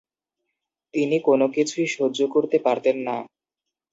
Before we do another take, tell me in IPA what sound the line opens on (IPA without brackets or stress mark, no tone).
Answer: t̪